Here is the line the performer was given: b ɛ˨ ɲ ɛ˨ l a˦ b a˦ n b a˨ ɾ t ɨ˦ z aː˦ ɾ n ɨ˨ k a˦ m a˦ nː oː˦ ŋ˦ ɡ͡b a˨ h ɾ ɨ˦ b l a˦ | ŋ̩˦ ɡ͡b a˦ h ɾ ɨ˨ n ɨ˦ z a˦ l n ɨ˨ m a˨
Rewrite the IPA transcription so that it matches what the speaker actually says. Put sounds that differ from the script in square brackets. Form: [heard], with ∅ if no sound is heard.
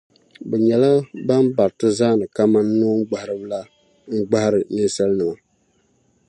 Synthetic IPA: b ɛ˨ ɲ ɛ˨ l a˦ b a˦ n b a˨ ɾ t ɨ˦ z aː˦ [∅] n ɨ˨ k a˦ m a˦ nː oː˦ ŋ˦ ɡ͡b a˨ h ɾ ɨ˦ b l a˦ | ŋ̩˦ ɡ͡b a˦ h ɾ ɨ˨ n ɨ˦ [s] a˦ l n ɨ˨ m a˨